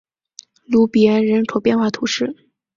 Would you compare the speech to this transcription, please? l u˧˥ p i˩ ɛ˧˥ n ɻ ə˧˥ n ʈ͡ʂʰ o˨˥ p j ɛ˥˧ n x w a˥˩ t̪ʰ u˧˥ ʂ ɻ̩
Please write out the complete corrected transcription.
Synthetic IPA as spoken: l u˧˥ p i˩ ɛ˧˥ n ɻ ə˧˥ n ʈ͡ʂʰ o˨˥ p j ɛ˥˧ n x w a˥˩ t̪ʰ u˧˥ ʂ ɻ̩